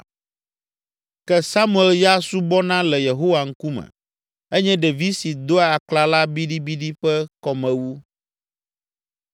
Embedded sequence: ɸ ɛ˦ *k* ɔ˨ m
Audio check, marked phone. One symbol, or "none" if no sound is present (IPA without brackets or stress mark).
k